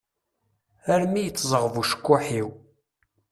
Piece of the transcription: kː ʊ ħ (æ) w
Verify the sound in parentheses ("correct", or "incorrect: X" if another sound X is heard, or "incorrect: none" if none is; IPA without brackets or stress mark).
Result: incorrect: i